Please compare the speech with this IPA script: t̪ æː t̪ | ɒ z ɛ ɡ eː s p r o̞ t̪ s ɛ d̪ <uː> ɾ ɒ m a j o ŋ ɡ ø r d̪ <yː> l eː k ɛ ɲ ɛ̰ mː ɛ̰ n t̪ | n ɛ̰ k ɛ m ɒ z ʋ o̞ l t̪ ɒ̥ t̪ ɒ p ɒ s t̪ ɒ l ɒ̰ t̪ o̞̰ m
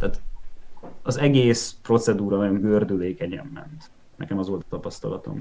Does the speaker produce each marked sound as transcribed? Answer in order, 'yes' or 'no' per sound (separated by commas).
yes, no